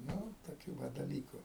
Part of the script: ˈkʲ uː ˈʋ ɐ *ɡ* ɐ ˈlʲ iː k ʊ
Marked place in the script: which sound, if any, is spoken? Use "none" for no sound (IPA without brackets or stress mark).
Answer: d